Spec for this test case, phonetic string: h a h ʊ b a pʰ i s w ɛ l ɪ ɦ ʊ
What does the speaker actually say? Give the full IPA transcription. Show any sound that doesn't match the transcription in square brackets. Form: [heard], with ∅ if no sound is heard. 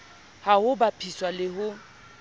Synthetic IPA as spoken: h a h ʊ b a pʰ i s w [a] l ɪ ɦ ʊ